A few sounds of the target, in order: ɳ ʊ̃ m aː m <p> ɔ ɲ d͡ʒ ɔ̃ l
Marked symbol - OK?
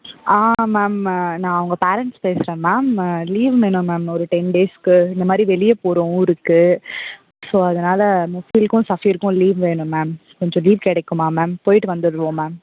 no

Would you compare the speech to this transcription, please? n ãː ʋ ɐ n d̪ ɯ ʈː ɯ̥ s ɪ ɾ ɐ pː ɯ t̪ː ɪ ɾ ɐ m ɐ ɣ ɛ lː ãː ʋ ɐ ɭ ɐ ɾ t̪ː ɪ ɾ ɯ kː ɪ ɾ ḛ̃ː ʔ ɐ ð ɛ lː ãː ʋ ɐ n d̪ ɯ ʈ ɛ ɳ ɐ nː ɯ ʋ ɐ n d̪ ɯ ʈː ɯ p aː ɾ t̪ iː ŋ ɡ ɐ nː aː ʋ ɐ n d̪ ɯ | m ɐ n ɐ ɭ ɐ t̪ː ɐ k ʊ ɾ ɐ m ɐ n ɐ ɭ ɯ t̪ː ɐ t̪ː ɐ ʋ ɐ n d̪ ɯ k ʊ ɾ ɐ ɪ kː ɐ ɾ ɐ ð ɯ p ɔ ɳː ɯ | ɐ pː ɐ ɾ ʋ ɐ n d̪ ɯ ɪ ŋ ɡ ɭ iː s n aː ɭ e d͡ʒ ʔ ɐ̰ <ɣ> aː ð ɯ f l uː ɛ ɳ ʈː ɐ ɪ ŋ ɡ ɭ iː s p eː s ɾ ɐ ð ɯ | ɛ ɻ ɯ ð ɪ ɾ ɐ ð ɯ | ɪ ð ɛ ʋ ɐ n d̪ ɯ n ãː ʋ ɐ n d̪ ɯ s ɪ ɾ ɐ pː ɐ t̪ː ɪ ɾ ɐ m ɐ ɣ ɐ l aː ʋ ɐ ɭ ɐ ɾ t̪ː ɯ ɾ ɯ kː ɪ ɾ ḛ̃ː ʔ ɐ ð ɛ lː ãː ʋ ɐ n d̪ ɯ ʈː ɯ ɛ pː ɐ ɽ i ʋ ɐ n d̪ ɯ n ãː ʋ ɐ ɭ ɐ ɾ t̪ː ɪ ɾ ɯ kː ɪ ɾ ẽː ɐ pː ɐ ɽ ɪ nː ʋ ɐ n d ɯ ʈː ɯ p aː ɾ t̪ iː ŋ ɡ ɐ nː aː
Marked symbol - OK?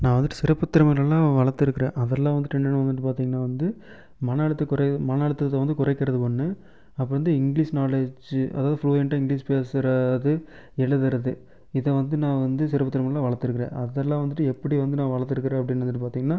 no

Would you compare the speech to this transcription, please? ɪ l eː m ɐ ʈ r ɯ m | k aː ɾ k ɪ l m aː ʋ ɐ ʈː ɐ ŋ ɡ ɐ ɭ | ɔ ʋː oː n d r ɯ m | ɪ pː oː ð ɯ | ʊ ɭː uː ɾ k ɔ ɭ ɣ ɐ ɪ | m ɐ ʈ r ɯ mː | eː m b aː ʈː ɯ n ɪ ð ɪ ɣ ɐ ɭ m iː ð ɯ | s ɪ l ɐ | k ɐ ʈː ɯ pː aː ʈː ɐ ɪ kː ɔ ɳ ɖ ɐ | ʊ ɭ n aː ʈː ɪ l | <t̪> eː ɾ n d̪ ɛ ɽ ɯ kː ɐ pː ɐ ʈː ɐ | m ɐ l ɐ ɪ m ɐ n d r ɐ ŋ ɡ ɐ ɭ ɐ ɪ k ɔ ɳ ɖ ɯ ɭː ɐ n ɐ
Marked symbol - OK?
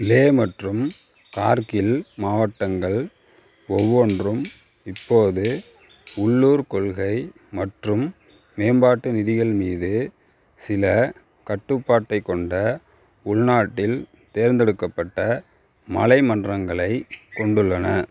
yes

